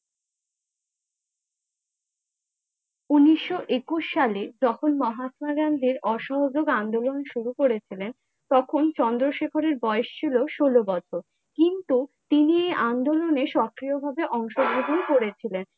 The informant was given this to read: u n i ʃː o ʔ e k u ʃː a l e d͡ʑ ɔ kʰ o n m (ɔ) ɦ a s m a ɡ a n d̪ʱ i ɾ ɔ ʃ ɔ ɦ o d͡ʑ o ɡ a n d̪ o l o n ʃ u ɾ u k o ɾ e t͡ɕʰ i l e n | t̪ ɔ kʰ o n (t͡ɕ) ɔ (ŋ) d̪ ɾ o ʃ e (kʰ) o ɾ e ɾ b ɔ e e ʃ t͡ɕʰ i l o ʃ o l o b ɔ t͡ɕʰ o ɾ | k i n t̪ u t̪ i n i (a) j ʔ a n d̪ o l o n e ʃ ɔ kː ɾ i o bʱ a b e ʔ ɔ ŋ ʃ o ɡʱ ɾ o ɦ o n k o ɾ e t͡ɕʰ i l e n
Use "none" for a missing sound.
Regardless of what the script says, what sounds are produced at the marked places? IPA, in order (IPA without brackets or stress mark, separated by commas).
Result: ɔ, t͡ɕ, n, kʰ, e